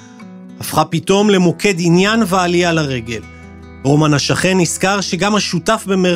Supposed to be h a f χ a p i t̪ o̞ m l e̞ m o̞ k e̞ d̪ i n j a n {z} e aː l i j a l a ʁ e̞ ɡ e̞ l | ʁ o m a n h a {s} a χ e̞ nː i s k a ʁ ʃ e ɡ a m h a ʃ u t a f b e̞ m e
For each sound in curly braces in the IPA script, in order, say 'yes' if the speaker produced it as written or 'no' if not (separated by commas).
no, no